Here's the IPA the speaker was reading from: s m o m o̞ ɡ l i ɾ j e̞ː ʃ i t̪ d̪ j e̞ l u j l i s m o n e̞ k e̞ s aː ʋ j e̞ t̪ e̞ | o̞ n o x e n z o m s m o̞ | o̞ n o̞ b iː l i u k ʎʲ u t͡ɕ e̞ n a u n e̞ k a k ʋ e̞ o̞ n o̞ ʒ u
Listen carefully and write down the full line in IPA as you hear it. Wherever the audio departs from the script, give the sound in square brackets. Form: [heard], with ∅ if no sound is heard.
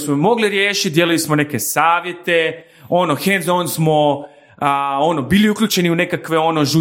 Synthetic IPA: s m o m o̞ ɡ l i ɾ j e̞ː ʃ i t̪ d̪ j e̞ l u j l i s m o n e̞ k e̞ s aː ʋ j e̞ t̪ e̞ | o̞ n o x e n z o [n] s m o̞ | o̞ n o̞ b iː l i u k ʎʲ u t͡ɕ e̞ n [i] u n e̞ k a k ʋ e̞ o̞ n o̞ ʒ u